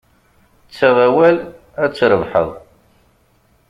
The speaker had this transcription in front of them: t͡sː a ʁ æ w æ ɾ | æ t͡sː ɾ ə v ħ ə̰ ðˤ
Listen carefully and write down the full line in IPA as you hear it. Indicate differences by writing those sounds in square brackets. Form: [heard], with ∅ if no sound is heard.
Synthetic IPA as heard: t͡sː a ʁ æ w æ [l] | æ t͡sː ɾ ə v ħ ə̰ ðˤ